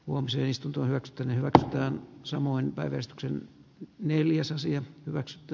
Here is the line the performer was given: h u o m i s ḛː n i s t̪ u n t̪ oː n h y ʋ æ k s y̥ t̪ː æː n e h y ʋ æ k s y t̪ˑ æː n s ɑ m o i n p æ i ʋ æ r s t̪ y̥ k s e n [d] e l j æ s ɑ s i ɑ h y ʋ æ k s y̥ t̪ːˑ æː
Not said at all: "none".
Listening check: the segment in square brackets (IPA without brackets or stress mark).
n